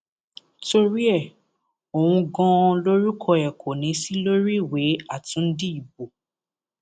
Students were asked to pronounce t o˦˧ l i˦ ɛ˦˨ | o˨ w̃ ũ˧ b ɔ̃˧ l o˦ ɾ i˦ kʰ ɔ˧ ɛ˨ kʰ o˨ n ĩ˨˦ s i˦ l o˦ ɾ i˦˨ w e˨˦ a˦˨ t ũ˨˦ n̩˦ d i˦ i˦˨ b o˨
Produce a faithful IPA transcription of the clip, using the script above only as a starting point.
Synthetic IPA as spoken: t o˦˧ ɾ i˦ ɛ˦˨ | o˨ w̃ ũ˧ ɡ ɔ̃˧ l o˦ ɾ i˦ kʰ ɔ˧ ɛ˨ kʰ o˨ n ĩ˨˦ s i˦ l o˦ ɾ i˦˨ w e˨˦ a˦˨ t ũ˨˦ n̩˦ d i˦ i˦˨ b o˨

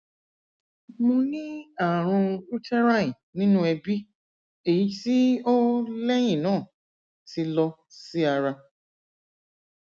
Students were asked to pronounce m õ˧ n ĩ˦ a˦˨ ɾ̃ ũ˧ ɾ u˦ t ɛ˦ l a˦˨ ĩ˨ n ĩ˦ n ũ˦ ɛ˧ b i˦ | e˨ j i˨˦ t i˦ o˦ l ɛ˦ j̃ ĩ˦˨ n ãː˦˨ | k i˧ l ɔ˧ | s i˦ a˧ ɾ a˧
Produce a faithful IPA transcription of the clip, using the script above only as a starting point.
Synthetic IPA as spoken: m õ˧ n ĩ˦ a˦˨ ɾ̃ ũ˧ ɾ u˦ t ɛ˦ ɾ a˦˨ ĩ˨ n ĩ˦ n ũ˦ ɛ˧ b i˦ | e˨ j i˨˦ t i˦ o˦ l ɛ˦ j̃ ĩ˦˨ n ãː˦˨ | t i˧ l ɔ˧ | s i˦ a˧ ɾ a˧

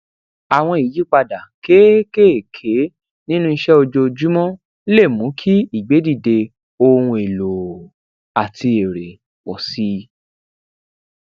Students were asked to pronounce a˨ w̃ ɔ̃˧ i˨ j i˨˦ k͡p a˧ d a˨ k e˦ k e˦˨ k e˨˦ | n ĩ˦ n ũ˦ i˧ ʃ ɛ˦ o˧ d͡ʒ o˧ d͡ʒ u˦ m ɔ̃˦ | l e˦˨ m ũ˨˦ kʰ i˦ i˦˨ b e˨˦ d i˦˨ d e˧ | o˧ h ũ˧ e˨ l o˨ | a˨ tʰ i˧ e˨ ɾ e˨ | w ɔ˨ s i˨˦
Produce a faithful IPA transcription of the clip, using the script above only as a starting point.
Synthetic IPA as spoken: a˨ w̃ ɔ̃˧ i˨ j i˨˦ k͡p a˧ d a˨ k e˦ k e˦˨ kʰ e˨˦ | n ĩ˦ n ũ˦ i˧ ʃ ɛ˦ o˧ d͡ʒ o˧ d͡ʒ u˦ m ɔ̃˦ | l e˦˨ m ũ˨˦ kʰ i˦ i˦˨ ɡ͡b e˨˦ d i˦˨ d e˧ | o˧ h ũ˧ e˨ l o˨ | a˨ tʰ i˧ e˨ ɾ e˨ | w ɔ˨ s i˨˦

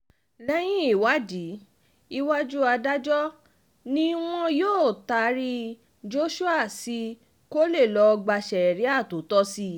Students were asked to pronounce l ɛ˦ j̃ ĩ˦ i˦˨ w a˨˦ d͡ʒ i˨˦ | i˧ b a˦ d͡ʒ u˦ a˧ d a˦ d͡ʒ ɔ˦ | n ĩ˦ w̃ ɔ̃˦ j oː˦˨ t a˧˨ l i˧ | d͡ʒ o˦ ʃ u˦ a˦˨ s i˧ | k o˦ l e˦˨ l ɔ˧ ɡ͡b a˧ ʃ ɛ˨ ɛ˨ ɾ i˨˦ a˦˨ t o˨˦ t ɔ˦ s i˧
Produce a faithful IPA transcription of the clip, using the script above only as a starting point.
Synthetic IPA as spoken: l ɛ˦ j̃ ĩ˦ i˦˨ w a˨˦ d͡ʒ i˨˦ | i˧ w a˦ d͡ʒ u˦ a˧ d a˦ d͡ʒ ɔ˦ | n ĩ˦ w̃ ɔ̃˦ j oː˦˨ t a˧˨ ɾ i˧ | d͡ʒ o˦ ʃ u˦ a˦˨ s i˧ | k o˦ l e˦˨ l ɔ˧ ɡ͡b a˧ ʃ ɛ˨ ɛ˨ ɾ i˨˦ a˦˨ t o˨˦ t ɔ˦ s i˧

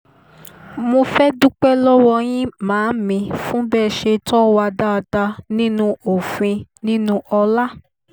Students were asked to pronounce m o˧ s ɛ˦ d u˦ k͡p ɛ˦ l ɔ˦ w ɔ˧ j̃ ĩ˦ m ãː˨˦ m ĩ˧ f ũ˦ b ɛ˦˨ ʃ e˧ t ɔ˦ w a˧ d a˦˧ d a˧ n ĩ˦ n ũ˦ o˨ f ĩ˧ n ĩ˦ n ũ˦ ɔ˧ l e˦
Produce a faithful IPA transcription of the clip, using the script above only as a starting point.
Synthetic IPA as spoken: m o˧ f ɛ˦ d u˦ k͡p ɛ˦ l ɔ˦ w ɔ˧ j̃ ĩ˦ m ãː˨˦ m ĩ˧ f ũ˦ b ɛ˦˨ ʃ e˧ t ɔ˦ w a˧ d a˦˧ d a˧ n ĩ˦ n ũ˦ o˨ f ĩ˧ n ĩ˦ n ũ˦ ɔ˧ l a˦

